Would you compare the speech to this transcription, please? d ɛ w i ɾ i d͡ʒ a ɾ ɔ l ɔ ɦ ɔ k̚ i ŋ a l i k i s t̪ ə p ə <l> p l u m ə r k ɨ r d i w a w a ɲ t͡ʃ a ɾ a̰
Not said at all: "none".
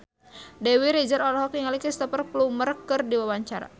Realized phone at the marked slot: r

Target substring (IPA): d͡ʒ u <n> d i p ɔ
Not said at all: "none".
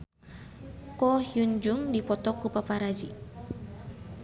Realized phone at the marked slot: ŋ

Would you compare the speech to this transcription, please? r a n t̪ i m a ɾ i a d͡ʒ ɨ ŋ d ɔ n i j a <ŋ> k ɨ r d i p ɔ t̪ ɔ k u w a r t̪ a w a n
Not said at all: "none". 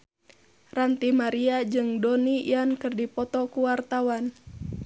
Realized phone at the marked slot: n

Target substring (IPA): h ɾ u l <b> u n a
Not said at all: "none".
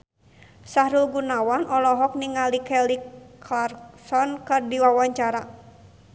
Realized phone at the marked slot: ɡ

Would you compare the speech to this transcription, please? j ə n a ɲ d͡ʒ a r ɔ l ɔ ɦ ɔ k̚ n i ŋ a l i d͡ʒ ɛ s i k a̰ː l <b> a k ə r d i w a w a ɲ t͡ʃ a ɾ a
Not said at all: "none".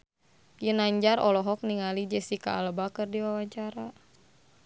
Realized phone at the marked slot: b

